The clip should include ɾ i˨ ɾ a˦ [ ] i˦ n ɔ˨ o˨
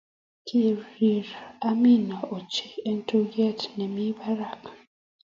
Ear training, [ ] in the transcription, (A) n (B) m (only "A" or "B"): B